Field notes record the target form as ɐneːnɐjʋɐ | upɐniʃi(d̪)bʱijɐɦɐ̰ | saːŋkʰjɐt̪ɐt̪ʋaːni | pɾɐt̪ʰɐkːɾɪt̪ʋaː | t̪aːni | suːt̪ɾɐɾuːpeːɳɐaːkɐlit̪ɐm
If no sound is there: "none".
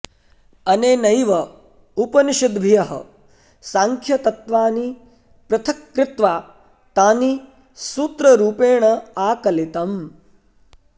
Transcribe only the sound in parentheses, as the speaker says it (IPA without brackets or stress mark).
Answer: d̪